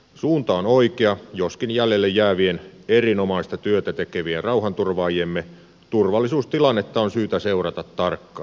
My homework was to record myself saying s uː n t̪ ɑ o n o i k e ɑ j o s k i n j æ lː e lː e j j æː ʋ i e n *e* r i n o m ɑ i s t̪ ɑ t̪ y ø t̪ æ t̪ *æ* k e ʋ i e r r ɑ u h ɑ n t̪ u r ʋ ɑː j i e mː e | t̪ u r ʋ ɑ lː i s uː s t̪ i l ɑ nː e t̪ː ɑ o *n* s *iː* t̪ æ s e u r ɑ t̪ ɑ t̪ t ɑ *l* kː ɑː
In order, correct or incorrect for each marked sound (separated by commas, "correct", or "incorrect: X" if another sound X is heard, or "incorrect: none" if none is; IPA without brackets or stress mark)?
correct, incorrect: e, correct, incorrect: yː, incorrect: r